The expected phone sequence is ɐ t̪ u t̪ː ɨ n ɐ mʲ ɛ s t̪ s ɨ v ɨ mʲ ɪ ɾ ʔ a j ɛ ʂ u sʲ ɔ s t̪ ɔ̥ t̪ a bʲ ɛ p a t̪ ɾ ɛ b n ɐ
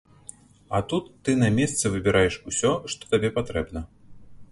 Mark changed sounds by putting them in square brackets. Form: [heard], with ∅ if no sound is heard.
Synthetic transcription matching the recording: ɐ t̪ u t̪ː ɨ n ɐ mʲ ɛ s t̪ s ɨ v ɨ [bʲ] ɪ ɾ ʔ a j ɛ ʂ u sʲ ɔ [ʂ] t̪ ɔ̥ t̪ a bʲ ɛ p a t̪ ɾ ɛ b n ɐ